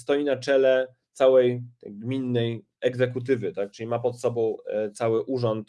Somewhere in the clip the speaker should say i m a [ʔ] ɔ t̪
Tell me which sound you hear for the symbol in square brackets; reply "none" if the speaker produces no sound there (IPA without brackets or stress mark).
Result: p